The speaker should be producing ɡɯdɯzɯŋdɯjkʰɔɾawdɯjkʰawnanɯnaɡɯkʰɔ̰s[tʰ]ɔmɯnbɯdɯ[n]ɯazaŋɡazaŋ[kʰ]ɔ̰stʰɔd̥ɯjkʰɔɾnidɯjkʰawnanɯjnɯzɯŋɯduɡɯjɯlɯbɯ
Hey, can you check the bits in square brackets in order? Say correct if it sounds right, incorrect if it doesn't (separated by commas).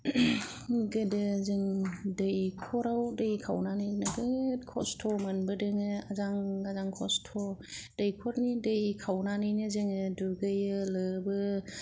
correct, incorrect, correct